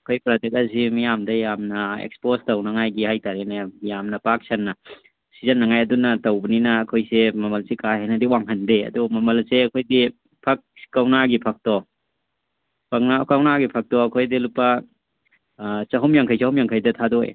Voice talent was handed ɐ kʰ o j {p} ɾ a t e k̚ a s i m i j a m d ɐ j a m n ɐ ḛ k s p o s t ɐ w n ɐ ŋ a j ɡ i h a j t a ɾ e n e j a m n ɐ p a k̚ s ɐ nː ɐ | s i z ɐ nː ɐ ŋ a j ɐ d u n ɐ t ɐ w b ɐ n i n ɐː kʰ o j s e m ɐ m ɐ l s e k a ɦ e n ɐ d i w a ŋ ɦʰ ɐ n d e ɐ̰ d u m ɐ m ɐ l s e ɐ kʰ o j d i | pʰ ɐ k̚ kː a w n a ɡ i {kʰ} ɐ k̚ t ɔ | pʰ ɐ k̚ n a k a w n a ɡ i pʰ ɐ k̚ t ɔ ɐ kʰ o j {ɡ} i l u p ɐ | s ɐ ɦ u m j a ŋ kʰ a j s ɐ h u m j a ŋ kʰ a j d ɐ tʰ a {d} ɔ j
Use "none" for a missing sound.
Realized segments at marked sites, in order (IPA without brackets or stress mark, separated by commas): p, pʰ, d, d